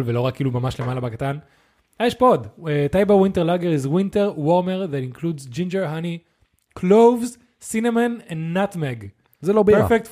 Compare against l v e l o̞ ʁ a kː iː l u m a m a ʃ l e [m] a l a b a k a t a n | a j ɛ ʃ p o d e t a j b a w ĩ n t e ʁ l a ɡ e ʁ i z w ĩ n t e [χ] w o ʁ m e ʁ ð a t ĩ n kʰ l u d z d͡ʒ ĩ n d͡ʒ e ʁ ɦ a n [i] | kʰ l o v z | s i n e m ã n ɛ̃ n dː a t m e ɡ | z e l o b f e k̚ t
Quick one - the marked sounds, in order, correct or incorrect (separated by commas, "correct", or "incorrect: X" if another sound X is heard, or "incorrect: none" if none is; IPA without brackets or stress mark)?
correct, incorrect: ʁ, correct